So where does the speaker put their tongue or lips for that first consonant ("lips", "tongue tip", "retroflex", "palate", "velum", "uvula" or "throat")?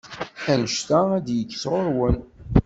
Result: tongue tip